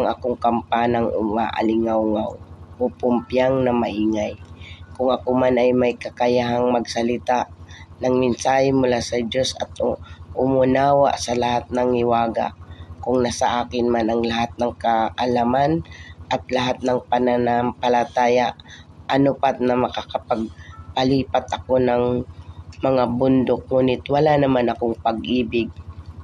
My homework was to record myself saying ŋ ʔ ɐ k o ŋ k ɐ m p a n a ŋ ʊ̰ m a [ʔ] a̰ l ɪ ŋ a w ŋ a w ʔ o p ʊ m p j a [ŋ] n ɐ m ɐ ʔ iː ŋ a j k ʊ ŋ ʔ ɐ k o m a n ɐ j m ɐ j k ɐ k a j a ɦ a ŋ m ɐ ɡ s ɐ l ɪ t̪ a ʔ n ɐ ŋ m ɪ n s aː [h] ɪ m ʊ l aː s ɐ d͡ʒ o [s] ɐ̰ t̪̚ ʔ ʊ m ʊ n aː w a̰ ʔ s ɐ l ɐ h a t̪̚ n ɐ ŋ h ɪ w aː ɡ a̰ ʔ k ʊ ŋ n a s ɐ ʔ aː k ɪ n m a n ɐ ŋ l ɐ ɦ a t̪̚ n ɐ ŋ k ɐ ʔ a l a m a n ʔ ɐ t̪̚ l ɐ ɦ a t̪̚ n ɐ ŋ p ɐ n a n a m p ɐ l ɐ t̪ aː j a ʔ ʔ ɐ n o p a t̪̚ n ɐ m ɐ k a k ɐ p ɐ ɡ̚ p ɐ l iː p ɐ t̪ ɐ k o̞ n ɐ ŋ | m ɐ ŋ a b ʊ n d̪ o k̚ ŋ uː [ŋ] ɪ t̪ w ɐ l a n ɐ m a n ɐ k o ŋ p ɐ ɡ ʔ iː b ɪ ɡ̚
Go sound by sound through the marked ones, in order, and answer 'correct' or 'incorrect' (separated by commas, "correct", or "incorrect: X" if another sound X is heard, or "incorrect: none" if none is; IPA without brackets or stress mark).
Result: correct, correct, correct, correct, incorrect: n